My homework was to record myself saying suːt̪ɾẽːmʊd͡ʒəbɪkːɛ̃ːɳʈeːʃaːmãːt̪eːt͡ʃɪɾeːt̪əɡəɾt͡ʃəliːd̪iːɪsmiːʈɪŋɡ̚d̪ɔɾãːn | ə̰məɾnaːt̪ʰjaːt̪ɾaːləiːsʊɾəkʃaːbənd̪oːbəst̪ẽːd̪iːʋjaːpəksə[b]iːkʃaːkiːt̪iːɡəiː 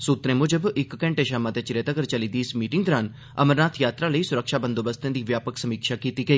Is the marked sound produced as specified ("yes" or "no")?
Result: no